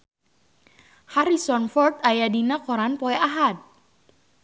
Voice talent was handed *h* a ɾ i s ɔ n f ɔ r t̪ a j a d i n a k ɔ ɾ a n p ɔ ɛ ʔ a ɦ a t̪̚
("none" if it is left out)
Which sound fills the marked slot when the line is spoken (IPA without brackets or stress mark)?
h